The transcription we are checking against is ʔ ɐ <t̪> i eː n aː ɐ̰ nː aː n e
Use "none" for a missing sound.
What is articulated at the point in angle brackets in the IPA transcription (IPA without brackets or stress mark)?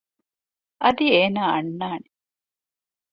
d̪